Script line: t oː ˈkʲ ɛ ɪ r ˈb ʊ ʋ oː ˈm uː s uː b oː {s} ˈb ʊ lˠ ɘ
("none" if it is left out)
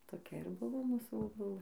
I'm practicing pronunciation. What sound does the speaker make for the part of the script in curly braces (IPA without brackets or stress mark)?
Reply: none